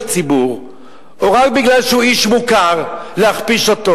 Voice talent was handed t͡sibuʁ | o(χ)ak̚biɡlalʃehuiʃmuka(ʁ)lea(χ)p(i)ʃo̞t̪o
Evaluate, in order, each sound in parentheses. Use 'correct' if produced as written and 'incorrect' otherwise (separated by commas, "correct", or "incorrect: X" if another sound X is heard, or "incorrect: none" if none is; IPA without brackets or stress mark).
incorrect: ʁ, correct, correct, correct